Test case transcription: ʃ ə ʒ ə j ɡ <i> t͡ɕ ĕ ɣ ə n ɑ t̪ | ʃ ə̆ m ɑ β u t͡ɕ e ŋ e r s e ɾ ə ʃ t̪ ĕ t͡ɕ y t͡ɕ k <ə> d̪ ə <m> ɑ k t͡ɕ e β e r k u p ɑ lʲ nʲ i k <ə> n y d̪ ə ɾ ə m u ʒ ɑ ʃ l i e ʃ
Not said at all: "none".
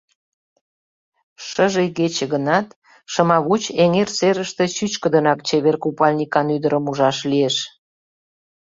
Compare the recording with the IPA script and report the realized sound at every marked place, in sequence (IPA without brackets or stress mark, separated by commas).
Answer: e, ə, n, ɑ